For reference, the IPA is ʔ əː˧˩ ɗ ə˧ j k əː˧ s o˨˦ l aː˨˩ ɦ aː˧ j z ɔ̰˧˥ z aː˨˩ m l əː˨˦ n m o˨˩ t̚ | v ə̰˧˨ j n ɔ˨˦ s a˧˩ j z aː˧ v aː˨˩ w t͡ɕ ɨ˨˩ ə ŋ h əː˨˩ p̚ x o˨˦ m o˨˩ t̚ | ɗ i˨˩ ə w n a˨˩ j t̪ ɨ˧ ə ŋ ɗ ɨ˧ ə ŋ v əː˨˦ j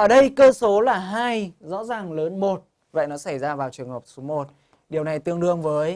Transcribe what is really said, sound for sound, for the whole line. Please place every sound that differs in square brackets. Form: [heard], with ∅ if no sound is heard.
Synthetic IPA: ʔ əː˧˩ ɗ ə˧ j k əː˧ s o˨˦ l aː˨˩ ɦ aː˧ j z ɔ̰˧˥ z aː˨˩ [ŋ] l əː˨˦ n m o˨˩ t̚ | v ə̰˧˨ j n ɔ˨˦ s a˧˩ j z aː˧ v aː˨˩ w t͡ɕ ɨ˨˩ ə ŋ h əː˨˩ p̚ [s] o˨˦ m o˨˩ t̚ | ɗ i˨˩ ə w n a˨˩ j t̪ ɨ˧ ə ŋ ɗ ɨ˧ ə ŋ v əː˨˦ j